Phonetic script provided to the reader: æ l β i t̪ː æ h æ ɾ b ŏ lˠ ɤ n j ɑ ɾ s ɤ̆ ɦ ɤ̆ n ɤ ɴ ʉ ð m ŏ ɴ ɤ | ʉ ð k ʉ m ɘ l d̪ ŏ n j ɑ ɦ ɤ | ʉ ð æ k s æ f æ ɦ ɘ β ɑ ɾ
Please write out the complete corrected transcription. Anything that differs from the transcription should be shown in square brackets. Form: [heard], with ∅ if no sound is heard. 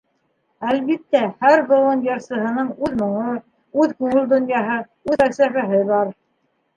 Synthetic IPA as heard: æ l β i t̪ː æ h æ ɾ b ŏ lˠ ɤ n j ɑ ɾ s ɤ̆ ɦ ɤ̆ n ɤ ɴ ʉ ð m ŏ ɴ ɤ | ʉ ð k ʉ [ŋ] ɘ l d̪ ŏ n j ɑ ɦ ɤ | ʉ ð æ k s æ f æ ɦ ɘ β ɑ ɾ